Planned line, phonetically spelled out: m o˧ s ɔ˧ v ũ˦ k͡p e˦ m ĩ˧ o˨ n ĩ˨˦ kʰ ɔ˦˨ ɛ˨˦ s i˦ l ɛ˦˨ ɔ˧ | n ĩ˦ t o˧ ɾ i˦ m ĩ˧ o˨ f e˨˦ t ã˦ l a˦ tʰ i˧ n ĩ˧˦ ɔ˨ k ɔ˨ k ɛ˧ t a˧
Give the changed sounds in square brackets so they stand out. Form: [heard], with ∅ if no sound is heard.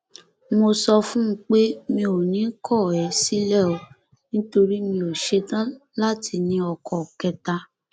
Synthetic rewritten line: m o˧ s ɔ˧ [f] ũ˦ k͡p e˦ m ĩ˧ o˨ n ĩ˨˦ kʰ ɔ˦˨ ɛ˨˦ s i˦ l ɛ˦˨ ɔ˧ | n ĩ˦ t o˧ ɾ i˦ m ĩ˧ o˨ [ʃ] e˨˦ t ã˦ l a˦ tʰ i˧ n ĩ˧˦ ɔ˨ k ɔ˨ k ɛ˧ t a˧